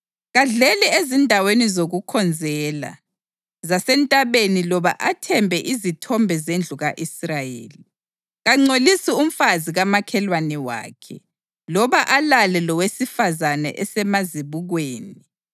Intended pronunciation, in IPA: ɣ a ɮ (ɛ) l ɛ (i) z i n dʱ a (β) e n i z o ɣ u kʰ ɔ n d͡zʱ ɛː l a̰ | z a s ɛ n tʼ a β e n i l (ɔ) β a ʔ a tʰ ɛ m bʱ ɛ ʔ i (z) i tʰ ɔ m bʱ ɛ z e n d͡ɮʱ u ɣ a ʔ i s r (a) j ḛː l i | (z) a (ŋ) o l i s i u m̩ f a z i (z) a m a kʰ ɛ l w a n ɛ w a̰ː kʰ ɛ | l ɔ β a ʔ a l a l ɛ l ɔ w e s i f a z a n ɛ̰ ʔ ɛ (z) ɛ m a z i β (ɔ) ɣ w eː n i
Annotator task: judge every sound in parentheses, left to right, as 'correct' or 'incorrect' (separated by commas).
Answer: correct, incorrect, incorrect, correct, correct, correct, incorrect, incorrect, incorrect, incorrect, incorrect